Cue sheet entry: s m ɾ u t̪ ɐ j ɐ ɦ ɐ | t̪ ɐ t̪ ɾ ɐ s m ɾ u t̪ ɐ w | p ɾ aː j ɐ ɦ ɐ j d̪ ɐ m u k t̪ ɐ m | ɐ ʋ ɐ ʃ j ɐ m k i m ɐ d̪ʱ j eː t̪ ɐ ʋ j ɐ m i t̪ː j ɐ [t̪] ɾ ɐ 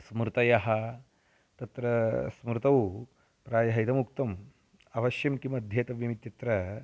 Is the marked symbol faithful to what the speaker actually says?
yes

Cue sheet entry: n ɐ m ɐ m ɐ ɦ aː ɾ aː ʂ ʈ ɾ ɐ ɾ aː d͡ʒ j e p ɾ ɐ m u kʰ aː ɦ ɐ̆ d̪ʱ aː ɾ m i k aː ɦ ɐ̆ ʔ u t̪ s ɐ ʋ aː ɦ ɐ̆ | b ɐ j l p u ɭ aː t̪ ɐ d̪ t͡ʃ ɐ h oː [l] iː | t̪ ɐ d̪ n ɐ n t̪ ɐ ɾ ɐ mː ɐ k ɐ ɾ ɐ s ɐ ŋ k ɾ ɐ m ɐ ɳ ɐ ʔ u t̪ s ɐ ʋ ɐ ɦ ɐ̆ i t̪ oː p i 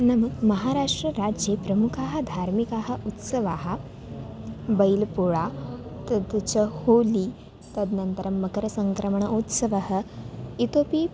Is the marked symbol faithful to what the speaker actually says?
yes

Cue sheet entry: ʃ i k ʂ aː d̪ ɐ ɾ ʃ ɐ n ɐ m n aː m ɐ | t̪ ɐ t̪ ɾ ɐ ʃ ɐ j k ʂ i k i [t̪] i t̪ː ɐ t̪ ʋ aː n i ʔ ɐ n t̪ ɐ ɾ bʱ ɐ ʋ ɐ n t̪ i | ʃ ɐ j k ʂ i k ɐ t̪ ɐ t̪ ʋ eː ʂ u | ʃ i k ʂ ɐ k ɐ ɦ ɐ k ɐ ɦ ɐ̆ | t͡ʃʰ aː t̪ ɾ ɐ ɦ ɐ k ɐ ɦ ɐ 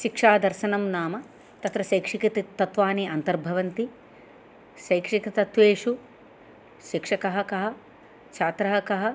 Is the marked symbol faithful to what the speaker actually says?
yes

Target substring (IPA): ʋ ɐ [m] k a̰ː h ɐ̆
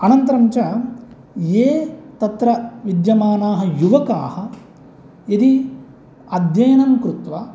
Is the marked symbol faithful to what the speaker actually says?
no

